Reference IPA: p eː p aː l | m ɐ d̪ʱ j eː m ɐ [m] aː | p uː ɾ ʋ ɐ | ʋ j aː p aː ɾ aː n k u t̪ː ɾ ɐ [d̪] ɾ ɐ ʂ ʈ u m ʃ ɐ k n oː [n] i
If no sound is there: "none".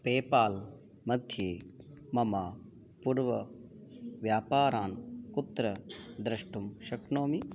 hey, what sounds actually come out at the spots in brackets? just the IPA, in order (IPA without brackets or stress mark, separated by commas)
m, d̪, m